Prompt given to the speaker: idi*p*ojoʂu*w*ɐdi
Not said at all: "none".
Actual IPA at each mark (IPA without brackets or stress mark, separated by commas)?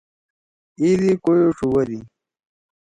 k, w